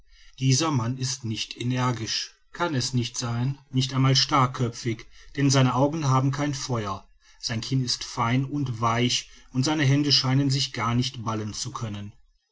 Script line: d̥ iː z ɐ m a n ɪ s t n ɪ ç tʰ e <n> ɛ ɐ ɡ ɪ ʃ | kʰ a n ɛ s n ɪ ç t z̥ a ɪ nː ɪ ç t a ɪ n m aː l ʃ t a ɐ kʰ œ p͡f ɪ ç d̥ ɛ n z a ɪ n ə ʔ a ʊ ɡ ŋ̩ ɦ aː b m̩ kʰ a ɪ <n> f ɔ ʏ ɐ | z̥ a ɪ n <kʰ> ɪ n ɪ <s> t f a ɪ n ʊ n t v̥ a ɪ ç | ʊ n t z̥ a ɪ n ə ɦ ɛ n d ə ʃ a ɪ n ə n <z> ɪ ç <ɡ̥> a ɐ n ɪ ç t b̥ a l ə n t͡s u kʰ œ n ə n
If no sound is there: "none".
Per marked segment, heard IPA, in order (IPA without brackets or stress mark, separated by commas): n, n, kʰ, s, z, ɡ̥